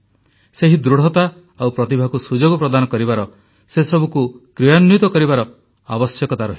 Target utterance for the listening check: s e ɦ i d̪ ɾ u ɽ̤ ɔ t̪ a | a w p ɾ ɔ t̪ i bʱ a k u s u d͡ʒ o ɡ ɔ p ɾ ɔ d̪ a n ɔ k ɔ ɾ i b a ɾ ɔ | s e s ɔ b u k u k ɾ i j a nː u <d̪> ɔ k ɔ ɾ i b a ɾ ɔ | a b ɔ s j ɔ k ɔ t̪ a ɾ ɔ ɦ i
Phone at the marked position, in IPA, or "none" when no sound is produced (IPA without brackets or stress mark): t̪